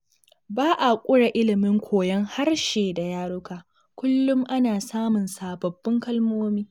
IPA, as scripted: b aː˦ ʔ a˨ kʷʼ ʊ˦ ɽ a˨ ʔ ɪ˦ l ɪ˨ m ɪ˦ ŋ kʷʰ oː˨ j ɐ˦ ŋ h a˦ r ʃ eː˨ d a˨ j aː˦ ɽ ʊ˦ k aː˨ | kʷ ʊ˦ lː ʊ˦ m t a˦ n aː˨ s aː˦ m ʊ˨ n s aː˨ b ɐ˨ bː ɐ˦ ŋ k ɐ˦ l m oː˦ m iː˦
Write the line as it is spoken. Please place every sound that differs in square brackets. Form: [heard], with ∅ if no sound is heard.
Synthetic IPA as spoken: b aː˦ ʔ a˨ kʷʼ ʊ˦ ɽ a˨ ʔ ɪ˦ l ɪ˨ m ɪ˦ ŋ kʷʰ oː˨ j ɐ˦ ŋ h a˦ r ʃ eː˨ d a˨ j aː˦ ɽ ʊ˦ k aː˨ | kʷ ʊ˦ lː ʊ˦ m [ʔ] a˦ n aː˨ s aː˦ m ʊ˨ n s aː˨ b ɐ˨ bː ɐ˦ ŋ k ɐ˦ l m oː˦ m iː˦

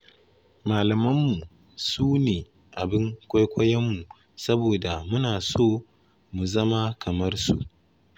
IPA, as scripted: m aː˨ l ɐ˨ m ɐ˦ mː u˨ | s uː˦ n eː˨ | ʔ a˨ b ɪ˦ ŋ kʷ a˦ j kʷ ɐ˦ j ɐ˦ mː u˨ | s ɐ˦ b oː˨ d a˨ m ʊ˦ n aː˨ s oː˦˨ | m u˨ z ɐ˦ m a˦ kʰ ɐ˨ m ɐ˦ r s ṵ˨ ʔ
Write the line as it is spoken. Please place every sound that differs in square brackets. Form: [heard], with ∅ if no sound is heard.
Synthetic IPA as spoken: m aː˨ l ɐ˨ m ɐ˦ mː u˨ | s uː˦ n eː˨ | ʔ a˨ b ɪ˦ ŋ kʷ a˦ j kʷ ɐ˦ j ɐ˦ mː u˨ | s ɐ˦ b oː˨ d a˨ m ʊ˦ n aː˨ s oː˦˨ | m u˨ z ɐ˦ m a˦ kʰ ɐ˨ m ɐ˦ r s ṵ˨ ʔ

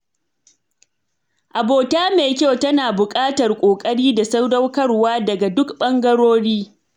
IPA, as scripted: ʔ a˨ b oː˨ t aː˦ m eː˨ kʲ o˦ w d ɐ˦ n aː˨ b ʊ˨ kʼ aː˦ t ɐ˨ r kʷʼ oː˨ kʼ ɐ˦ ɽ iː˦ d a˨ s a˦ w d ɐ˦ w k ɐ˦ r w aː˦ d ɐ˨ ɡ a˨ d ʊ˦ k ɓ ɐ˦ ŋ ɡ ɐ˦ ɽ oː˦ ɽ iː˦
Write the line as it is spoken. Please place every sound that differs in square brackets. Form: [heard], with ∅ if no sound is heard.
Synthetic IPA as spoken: ʔ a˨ b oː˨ t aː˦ m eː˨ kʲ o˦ w [t] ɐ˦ n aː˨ b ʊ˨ kʼ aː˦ t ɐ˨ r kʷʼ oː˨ kʼ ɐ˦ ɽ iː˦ d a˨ s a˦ w d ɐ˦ w k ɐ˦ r w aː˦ d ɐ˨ ɡ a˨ d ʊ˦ k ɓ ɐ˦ ŋ ɡ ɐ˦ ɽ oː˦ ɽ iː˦

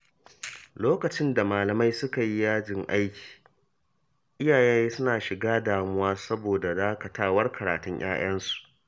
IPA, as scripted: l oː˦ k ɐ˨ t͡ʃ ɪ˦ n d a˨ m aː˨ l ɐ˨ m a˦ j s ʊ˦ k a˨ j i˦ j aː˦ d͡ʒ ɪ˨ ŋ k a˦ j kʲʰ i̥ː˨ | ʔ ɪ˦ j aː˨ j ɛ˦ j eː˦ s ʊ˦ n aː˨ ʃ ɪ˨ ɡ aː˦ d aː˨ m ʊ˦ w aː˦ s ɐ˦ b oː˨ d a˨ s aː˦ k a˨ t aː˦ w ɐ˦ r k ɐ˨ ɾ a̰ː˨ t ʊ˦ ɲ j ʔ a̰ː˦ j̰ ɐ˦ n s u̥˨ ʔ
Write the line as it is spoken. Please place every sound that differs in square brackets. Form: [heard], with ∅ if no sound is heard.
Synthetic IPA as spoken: l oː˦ k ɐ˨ t͡ʃ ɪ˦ n d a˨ m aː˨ l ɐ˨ m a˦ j s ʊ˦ k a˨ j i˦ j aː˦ d͡ʒ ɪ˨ ŋ [ʔ] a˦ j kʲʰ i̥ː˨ | ʔ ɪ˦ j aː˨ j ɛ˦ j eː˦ s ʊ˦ n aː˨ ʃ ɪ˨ ɡ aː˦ d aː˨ m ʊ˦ w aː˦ s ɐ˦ b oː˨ d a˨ [z] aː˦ k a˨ t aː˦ w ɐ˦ r k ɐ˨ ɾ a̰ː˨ t ʊ˦ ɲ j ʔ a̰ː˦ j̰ ɐ˦ n s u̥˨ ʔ

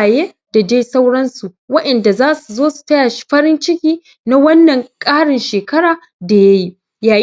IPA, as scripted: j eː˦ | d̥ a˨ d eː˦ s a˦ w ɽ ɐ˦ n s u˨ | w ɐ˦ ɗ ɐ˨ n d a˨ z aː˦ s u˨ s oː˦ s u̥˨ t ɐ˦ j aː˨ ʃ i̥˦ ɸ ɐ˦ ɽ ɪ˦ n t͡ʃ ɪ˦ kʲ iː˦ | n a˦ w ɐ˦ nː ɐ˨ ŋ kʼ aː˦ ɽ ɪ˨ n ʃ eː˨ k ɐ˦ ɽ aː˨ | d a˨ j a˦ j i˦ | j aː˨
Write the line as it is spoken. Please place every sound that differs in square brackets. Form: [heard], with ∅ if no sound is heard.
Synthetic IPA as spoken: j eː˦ | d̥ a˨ [d͡ʒ] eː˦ s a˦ w ɽ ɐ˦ n s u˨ | w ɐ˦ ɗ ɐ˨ n d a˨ z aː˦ s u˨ [z] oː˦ s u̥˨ t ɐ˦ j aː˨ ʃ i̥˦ ɸ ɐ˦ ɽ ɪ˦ n t͡ʃ ɪ˦ kʲ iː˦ | n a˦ w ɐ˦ nː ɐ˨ ŋ kʼ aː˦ ɽ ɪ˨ n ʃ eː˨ k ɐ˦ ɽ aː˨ | d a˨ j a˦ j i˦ | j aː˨

